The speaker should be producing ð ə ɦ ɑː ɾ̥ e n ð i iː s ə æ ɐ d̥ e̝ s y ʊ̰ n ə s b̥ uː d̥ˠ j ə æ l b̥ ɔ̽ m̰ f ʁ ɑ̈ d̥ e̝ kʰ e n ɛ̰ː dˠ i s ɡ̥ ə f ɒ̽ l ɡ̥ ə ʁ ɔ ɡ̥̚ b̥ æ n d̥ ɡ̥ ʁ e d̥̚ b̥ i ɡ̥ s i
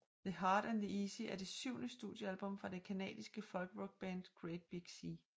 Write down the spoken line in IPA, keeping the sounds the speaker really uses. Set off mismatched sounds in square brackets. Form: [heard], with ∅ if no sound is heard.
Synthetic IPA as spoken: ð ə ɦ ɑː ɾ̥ [æ] n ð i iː s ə æ ɐ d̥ e̝ s y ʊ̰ n ə s [d̥] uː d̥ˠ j ə æ l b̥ ɔ̽ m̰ f ʁ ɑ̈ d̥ e̝ kʰ [æ] n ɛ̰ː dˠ i s ɡ̥ ə f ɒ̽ l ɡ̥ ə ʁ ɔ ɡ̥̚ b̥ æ n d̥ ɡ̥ ʁ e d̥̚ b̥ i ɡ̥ s i